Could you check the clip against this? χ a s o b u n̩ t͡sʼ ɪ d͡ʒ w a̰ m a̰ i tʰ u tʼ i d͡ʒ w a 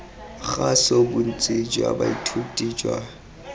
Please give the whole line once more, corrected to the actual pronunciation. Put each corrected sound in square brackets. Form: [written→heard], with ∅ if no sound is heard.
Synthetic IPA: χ a s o b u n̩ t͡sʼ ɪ d͡ʒ w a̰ [m→b] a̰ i tʰ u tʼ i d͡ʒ w a